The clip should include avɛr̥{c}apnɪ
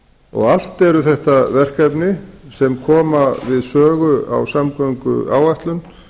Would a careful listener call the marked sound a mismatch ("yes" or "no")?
yes